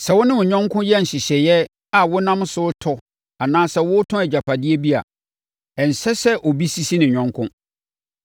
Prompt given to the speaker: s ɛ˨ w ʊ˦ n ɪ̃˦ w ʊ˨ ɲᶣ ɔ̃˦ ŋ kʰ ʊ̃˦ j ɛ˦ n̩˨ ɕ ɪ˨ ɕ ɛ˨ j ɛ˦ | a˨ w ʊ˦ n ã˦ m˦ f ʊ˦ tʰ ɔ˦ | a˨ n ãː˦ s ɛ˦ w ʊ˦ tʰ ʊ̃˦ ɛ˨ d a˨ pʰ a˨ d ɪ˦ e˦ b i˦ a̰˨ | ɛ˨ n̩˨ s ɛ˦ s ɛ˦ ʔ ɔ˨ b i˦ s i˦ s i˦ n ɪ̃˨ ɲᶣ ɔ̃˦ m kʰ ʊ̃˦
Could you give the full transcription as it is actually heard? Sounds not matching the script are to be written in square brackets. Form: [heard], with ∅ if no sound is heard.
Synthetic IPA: s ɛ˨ w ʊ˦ n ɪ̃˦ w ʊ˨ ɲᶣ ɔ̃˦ ŋ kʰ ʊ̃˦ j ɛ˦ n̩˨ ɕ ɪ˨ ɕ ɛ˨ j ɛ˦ | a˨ w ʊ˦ n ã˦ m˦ [s] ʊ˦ tʰ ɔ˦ | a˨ n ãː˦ s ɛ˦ w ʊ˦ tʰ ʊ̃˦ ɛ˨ [d͡ʑ] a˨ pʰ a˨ d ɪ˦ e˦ b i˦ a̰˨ | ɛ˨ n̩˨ s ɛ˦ s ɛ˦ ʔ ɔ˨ b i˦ s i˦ s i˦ n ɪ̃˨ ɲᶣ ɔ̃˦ [ŋ] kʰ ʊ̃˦